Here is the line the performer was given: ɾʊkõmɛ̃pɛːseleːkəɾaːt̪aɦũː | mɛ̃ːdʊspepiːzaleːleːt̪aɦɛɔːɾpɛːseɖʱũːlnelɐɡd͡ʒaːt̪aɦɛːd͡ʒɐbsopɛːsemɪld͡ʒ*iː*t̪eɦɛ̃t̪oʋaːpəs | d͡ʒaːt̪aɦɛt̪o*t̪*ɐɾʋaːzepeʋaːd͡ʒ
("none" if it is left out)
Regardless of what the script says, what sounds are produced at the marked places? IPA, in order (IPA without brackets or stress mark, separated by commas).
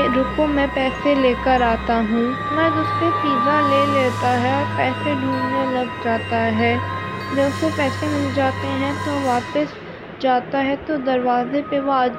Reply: aː, d̪